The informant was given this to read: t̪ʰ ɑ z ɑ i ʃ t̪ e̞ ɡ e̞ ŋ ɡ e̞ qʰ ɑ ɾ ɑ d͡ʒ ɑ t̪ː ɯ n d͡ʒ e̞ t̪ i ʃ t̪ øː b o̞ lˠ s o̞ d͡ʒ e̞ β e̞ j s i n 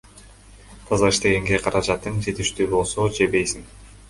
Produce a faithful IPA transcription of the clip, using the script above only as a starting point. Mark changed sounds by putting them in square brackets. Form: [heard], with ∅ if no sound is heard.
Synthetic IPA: t̪ʰ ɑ z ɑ i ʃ t̪ e̞ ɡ e̞ ŋ ɡ e̞ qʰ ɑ ɾ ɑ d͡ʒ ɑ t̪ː ɯ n d͡ʒ e̞ t̪ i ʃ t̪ [yː] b o̞ lˠ s o̞ d͡ʒ e̞ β e̞ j s i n